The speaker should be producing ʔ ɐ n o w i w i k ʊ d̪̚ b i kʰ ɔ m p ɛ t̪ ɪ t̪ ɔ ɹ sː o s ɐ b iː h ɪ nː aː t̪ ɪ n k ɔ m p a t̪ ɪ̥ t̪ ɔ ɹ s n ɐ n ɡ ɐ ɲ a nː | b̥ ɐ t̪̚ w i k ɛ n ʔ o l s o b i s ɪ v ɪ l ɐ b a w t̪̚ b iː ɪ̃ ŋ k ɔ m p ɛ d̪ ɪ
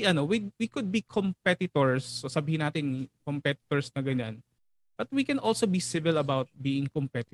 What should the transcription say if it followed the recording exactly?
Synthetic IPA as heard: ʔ ɐ n o w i w i k ʊ d̪̚ b i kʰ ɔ m p ɛ t̪ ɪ t̪ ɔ ɹ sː o s ɐ b iː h ɪ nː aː t̪ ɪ n k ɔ m p ɛ t̪ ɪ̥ t̪ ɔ ɹ s n ɐ ɡ ɐ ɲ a n | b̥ ɐ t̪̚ w i k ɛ n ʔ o l s o b i s ɪ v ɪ l ɐ b a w t̪̚ b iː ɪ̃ ŋ k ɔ m p ɛ t̪ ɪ